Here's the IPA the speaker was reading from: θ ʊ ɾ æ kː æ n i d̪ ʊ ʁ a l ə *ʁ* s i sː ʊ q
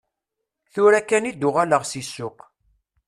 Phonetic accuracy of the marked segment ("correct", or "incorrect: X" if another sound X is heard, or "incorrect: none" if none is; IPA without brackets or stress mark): correct